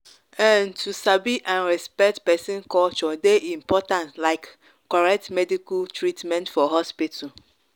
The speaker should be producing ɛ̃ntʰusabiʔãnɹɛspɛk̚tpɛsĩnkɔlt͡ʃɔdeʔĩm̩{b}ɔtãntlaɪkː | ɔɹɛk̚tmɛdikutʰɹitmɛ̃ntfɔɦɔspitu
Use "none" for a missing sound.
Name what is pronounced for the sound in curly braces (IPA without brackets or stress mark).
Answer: p